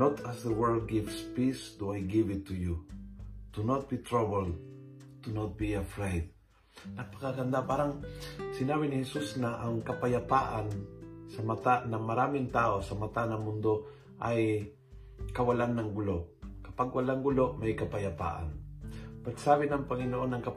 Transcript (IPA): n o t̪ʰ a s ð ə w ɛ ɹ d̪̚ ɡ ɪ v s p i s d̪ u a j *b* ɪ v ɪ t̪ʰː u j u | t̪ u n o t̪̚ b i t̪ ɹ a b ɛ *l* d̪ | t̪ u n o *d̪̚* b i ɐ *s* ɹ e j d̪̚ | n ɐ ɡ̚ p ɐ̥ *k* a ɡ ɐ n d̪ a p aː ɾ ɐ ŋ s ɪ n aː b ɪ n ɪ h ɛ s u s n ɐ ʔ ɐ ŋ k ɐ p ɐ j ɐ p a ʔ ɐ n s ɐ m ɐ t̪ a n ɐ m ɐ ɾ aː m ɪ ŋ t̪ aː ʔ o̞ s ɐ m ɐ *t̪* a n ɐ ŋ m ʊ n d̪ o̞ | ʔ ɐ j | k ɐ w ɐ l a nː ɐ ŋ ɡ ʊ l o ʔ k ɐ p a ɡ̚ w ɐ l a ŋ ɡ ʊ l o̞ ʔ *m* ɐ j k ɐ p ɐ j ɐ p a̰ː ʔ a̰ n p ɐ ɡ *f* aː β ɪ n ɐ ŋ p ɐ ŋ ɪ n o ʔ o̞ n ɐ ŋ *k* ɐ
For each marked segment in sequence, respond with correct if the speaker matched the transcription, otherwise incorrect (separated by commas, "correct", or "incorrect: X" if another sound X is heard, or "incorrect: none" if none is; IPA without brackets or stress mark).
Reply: incorrect: ɡ, correct, incorrect: t̪̚, incorrect: f, correct, correct, correct, incorrect: s, correct